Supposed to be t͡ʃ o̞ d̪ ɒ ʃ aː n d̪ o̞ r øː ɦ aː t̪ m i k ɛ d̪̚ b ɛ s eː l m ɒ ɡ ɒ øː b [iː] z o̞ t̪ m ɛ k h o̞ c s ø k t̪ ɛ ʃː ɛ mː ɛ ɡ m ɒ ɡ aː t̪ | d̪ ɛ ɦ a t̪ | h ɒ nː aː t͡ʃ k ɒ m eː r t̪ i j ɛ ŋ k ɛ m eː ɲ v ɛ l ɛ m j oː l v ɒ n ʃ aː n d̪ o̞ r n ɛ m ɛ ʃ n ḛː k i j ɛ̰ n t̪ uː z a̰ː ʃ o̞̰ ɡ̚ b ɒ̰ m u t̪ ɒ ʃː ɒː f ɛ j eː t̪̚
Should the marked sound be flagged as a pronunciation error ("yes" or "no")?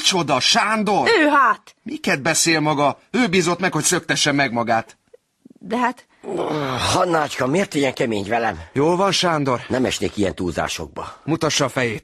no